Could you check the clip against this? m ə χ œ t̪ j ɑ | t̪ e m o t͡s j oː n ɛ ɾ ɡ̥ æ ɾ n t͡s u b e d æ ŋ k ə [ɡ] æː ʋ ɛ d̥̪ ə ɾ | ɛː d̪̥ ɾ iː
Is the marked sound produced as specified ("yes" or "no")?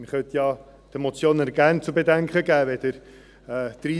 yes